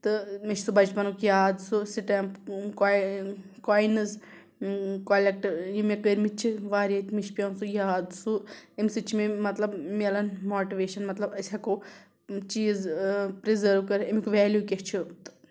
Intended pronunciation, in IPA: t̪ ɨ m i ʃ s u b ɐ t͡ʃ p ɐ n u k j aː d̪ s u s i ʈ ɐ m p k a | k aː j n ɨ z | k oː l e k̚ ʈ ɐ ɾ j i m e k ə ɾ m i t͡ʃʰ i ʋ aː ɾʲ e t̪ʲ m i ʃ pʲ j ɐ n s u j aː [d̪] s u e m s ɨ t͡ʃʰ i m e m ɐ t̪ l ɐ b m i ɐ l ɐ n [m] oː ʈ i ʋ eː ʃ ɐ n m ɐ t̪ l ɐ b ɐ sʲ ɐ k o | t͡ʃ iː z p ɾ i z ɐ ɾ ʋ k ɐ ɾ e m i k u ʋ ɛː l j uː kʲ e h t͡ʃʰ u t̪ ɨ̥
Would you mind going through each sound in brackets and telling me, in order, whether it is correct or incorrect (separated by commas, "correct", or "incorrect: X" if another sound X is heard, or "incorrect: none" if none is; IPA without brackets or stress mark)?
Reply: correct, correct